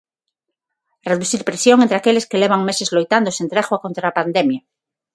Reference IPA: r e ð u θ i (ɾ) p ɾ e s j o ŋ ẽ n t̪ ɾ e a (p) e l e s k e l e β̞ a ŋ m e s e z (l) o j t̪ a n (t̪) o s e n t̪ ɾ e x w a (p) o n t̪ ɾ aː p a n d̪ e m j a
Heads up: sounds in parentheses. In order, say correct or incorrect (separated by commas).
correct, incorrect, correct, incorrect, incorrect